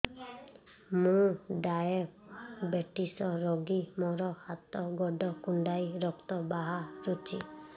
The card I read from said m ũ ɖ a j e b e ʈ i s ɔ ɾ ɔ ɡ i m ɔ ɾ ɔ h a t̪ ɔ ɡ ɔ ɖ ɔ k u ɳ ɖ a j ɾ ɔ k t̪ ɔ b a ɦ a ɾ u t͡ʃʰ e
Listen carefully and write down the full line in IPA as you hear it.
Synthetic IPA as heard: m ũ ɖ a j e b e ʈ i s ɔ ɾ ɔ ɡ i m ɔ ɾ ɔ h a t̪ ɔ ɡ ɔ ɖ ɔ k u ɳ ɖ a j ɾ ɔ k t̪ ɔ b a ɦ a ɾ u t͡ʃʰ i

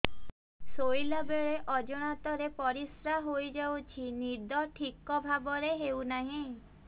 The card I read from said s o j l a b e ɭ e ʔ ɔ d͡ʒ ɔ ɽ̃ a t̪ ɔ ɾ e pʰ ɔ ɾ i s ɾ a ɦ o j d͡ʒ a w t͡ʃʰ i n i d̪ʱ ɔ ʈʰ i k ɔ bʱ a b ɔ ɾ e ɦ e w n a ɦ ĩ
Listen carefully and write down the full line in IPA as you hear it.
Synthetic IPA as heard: s o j l a b e ɭ e ʔ ɔ d͡ʒ ɔ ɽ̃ a t̪ ɔ ɾ e p ɔ ɾ i s ɾ a ɦ o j d͡ʒ a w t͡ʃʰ i n i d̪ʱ ɔ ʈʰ i k ɔ bʱ a b ɔ ɾ e ɦ e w n a ɦ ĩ

